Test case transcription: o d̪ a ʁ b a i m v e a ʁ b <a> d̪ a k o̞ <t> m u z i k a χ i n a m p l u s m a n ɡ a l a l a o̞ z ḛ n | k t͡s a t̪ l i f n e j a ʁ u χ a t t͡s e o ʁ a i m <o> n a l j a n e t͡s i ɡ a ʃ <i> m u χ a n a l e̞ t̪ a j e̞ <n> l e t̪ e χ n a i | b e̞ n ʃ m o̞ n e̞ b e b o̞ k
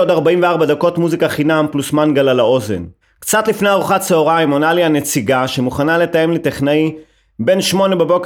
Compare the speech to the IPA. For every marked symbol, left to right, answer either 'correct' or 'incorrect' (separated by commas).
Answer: correct, correct, correct, incorrect, incorrect